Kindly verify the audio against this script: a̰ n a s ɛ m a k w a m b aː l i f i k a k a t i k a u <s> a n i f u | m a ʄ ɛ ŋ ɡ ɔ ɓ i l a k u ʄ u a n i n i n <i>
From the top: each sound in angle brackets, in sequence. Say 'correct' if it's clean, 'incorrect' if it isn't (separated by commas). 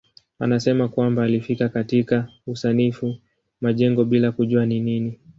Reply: correct, correct